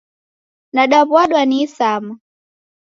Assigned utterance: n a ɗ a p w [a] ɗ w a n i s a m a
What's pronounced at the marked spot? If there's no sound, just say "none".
a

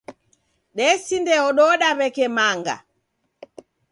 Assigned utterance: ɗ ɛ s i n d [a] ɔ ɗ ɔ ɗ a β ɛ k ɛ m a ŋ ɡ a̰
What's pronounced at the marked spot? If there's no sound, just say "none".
ɛ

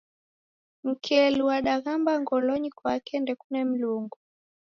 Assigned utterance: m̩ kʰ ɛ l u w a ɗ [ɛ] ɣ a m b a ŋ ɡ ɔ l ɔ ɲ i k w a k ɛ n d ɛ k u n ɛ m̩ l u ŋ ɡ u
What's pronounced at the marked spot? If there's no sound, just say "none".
a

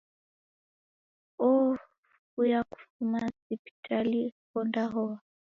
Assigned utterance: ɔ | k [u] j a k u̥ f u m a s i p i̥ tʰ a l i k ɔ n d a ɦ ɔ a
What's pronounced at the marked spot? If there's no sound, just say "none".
u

